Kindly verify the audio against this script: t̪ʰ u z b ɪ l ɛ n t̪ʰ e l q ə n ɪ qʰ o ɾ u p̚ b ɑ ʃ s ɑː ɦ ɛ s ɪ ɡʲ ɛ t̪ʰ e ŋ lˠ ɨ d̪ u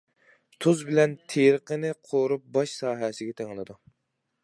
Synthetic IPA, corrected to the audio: t̪ʰ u z b ɪ l ɛ n t̪ʰ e ɾ q ə n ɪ qʰ o ɾ u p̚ b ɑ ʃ s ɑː ɦ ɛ s ɪ ɡʲ ɛ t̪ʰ e ŋ lˠ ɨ d̪ u